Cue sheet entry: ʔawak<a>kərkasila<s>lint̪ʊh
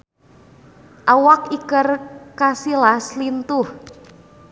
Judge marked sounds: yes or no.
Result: no, yes

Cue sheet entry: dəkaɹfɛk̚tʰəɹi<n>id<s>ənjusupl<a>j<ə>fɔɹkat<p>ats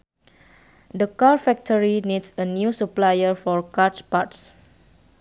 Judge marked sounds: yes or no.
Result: yes, yes, yes, yes, yes

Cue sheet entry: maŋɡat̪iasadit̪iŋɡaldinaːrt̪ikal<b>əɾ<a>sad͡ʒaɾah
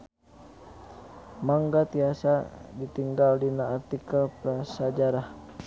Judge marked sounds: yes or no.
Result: no, yes

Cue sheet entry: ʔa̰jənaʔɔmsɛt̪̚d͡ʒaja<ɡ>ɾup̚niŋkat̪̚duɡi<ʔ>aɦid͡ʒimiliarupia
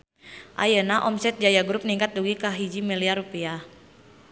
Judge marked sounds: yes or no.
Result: yes, no

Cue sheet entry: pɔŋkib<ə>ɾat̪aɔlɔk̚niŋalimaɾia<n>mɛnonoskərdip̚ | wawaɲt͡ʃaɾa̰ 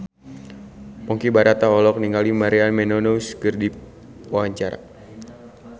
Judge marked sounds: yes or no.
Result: no, yes

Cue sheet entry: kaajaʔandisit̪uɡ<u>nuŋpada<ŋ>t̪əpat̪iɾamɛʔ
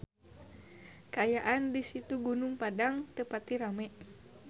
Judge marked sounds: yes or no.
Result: yes, yes

